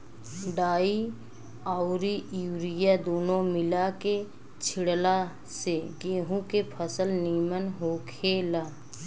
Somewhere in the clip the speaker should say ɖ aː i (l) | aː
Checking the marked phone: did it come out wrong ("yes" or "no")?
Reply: yes